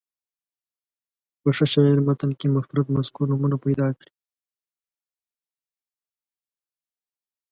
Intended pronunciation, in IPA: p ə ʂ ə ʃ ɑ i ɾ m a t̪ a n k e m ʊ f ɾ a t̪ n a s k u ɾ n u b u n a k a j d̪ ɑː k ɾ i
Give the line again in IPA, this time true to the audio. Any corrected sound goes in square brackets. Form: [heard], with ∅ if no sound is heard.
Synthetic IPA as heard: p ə ʂ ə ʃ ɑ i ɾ m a t̪ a n k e m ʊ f ɾ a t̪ [m] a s k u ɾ n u [m] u n a [p] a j d̪ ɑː k [ɽ] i